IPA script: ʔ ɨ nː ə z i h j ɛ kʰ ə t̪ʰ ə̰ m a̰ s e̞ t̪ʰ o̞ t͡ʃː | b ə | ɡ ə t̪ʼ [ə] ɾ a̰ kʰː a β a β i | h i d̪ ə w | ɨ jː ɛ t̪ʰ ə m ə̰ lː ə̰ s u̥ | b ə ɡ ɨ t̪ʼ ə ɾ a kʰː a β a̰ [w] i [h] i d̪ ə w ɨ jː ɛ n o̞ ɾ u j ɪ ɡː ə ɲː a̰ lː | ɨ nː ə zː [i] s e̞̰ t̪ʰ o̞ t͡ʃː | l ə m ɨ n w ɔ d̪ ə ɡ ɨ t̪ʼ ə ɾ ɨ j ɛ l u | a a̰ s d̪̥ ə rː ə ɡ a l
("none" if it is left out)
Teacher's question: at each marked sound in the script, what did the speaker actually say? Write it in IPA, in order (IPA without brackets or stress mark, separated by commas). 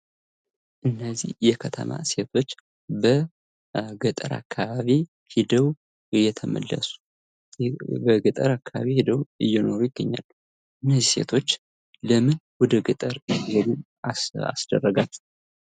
ə, β, h, i